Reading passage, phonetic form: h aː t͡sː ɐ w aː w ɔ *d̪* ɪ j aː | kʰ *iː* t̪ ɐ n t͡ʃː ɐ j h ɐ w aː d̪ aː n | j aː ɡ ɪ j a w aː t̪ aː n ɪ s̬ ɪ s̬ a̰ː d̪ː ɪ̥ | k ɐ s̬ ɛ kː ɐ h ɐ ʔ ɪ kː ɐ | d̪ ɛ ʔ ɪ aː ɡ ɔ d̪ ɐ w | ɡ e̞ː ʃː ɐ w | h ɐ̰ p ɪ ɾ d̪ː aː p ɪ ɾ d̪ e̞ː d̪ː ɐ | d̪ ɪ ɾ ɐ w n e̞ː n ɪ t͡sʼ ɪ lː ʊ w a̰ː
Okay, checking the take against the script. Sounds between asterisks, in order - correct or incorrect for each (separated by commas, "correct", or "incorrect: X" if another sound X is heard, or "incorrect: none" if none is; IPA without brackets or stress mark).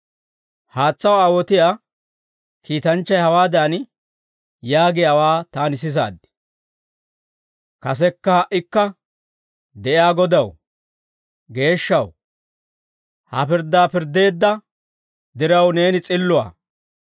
incorrect: t̪, correct